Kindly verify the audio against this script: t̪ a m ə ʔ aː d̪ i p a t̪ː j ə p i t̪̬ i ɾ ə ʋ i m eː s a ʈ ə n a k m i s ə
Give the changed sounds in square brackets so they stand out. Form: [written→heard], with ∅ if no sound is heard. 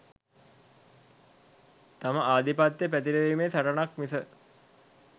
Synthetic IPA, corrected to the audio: t̪ a m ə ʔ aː d̪ i p a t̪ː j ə p [i→æ] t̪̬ i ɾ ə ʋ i m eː s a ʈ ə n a k m i s ə